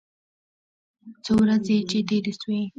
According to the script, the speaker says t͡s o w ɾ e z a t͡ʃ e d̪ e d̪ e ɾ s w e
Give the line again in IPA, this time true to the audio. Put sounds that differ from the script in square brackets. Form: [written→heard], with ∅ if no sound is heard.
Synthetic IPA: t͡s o w ɾ [e→a] z [a→e] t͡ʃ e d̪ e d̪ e [ɾ→∅] s w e